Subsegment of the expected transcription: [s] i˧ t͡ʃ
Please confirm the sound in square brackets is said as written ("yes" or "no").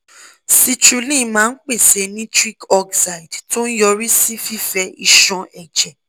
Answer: yes